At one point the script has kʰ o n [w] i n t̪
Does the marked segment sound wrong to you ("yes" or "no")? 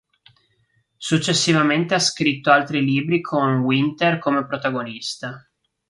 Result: no